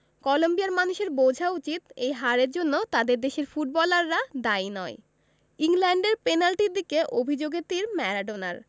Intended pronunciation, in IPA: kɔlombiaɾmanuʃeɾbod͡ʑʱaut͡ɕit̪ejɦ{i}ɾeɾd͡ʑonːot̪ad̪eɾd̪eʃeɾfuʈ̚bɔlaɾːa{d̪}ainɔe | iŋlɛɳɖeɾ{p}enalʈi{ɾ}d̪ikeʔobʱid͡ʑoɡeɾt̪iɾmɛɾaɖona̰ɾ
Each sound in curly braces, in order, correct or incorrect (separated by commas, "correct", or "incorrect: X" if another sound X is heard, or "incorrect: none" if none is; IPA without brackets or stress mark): incorrect: a, correct, correct, correct